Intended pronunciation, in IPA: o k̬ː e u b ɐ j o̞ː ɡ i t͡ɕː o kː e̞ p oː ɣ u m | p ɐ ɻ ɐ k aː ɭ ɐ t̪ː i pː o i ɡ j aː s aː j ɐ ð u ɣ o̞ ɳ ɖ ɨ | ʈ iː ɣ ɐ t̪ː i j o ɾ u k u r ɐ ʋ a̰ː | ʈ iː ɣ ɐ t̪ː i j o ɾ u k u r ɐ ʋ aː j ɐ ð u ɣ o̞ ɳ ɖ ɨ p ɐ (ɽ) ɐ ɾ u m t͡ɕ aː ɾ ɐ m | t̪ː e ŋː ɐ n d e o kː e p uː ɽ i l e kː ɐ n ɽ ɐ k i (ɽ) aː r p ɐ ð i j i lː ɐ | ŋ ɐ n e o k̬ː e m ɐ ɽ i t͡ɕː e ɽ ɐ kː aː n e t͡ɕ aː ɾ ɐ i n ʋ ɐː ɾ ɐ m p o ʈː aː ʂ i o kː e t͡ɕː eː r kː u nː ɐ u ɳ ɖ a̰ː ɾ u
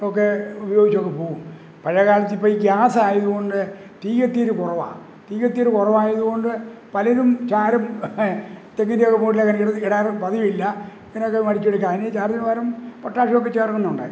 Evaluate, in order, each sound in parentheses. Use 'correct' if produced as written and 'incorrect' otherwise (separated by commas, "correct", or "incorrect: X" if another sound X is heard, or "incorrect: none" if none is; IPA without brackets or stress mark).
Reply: incorrect: l, correct